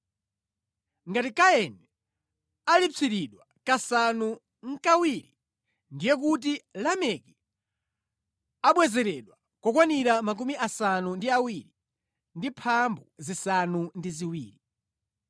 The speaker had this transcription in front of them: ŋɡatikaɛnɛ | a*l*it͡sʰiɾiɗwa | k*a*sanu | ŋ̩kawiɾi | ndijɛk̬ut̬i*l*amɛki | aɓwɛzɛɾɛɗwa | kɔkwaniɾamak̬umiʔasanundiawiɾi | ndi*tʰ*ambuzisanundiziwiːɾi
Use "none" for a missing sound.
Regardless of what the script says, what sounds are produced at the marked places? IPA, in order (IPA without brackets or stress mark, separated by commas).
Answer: l, a, l, pʰ